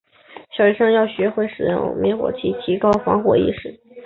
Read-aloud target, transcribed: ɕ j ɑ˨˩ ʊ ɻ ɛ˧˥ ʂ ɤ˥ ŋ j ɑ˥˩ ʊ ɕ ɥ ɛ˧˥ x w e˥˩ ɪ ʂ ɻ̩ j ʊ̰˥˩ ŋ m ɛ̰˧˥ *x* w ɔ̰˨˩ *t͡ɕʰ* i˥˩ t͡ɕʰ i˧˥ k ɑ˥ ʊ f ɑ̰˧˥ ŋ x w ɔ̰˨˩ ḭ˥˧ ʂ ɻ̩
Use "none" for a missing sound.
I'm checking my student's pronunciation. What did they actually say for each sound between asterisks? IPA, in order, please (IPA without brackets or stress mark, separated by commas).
x, t͡ɕʰ